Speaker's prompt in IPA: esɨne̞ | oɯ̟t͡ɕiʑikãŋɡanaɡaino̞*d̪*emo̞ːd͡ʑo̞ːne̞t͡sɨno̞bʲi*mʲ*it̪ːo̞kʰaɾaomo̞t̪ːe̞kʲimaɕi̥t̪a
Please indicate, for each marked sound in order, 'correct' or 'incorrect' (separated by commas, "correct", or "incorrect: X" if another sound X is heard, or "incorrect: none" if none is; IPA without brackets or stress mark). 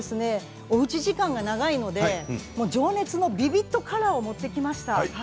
correct, incorrect: bʲ